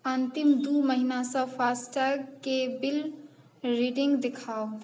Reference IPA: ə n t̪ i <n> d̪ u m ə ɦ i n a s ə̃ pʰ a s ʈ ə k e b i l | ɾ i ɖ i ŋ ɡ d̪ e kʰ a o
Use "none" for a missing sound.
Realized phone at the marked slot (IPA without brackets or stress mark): m